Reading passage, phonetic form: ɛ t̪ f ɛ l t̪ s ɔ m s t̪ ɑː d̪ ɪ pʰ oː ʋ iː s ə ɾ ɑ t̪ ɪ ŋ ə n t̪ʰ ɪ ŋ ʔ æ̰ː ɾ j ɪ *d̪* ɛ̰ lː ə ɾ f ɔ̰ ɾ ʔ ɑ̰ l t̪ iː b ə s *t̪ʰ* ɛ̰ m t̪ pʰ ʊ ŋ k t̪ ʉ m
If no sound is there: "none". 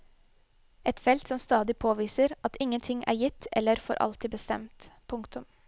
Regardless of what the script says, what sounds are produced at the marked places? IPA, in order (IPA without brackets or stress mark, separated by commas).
t̪, t̪